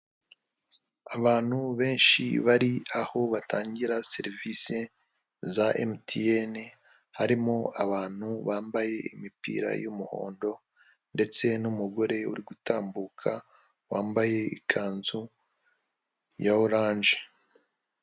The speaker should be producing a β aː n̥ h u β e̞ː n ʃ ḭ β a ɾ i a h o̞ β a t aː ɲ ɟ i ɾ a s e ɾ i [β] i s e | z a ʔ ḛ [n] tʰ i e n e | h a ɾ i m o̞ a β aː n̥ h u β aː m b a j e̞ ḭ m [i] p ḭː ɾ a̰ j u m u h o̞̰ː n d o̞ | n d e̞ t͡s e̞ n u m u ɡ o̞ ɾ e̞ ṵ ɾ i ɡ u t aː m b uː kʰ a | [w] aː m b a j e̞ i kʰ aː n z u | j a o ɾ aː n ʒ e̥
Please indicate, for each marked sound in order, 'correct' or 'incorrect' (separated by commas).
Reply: incorrect, incorrect, correct, correct